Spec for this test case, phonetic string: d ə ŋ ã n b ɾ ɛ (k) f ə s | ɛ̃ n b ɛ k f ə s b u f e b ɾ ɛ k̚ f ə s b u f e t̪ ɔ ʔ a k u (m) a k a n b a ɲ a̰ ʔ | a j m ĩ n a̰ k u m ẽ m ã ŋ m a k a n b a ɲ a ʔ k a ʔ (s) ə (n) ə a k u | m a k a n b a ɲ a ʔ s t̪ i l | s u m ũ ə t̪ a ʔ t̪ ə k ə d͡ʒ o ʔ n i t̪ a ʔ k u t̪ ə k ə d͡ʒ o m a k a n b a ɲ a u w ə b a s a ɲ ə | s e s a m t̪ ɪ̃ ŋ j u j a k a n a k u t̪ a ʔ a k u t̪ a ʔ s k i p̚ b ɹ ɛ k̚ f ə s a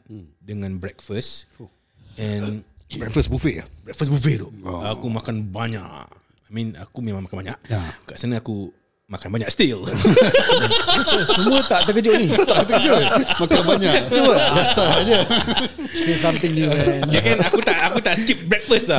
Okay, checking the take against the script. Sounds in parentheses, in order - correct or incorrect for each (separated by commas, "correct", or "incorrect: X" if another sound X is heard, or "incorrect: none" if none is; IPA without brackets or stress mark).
correct, correct, correct, correct